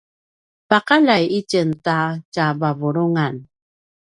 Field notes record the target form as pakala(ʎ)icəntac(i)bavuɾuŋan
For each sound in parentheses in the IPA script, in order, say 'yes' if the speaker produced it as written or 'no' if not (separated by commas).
no, no